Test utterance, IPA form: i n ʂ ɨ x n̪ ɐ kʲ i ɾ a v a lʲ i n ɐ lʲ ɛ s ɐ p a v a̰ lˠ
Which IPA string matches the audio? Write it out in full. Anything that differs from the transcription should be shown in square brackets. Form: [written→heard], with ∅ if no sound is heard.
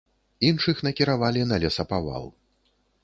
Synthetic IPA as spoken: i n ʂ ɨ x n̪ ɐ kʲ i ɾ a v a lʲ i n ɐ lʲ ɛ s ɐ p a v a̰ lˠ